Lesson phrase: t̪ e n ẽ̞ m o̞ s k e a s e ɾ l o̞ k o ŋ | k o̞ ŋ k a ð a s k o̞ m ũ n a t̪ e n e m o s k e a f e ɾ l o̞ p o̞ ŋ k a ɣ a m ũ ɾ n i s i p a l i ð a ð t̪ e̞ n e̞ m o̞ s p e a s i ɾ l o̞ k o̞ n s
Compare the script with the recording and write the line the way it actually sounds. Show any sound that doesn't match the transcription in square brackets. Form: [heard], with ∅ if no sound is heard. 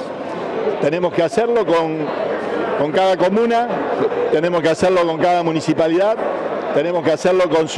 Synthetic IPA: t̪ e n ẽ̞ m o̞ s k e a s e ɾ l o̞ k o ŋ | k o̞ ŋ k a ð a [∅] k o̞ m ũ n a t̪ e n e m o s k e a [s] e ɾ l o̞ [k] o̞ ŋ k a [ð] a m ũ [∅] n i s i p a l i ð a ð t̪ e̞ n e̞ m o̞ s [k] e a s [e] ɾ l o̞ k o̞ n s